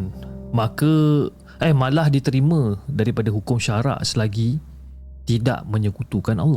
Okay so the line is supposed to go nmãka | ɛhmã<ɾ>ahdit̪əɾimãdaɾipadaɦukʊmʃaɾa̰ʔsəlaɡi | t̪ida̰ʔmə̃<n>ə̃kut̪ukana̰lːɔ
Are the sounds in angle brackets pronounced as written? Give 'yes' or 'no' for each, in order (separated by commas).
no, no